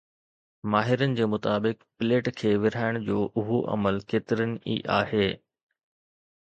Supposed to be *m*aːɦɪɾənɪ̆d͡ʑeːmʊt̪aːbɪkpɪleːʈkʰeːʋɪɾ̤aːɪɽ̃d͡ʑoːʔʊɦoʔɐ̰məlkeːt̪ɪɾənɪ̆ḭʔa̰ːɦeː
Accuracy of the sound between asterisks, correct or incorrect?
correct